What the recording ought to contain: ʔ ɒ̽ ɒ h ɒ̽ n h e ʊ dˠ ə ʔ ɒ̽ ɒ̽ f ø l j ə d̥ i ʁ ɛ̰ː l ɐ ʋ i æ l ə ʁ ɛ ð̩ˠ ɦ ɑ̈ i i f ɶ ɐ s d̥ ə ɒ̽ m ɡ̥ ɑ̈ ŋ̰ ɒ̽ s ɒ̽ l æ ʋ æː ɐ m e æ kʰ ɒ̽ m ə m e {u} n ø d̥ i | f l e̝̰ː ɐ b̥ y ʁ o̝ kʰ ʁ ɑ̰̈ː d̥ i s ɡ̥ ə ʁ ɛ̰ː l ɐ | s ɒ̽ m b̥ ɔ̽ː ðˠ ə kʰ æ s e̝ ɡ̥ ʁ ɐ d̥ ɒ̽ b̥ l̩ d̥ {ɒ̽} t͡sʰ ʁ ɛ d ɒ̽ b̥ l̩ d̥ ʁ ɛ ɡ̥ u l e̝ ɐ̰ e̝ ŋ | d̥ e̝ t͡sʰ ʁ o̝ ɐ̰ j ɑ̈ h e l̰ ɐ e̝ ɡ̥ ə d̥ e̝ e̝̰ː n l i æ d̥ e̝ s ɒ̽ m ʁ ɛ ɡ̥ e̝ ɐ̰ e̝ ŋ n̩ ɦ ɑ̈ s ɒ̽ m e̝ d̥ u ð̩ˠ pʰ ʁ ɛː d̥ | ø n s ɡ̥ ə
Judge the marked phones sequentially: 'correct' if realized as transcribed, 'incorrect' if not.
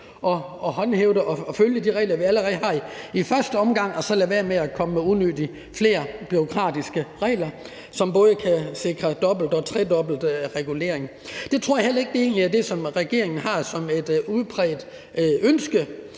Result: correct, correct

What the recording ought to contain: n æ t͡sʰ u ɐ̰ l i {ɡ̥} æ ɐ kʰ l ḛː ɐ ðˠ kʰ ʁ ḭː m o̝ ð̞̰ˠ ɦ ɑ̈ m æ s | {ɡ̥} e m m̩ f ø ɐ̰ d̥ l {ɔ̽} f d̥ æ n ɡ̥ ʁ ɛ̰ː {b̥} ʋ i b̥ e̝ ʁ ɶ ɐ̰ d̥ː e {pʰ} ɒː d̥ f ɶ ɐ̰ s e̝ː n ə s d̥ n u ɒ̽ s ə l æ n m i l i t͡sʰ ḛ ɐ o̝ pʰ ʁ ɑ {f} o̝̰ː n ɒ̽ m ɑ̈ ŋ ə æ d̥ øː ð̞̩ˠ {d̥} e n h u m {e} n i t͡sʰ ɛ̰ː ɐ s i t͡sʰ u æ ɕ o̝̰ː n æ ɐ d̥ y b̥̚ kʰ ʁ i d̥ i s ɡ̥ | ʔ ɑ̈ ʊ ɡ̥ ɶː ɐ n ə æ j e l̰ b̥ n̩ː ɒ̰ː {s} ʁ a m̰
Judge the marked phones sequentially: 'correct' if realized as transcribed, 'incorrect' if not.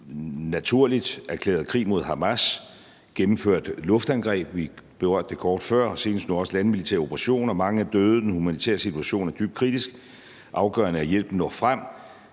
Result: incorrect, correct, correct, correct, incorrect, incorrect, correct, incorrect, incorrect

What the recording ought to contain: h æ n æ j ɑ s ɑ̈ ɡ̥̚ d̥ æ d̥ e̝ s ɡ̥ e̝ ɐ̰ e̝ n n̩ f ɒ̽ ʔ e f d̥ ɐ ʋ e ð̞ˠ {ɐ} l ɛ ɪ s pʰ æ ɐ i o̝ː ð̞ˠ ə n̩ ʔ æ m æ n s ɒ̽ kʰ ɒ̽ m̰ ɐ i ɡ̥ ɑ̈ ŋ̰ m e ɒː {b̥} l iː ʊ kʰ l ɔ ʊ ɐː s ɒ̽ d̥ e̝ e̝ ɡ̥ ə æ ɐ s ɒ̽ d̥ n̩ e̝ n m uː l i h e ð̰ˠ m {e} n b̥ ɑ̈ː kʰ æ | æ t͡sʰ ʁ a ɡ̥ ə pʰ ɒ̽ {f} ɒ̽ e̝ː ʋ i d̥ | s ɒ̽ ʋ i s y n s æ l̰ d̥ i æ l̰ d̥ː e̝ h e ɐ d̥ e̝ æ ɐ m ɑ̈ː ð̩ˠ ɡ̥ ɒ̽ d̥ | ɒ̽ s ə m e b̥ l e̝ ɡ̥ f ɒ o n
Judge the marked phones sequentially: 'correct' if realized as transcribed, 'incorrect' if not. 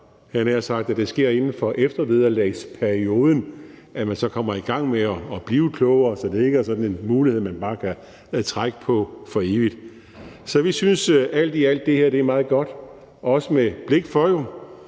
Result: correct, correct, incorrect, correct

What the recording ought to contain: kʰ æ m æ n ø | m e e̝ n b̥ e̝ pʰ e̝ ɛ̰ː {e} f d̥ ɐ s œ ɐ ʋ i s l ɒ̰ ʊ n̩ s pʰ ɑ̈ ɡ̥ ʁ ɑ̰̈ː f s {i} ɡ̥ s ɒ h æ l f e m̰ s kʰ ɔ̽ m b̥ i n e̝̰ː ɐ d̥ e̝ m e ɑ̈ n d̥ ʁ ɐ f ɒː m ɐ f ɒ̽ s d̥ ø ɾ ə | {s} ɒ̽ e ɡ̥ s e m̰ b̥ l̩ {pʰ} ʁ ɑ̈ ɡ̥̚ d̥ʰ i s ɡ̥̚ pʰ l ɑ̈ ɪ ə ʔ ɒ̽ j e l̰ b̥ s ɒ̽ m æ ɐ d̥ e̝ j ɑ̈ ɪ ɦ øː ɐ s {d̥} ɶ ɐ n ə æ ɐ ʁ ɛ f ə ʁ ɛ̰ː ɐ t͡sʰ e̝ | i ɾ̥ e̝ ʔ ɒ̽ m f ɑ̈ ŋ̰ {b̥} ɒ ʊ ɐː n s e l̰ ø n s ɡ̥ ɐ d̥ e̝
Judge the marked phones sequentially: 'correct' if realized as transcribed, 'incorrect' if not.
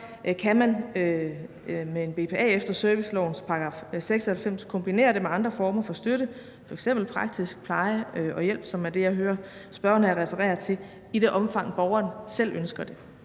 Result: correct, incorrect, incorrect, correct, incorrect, correct

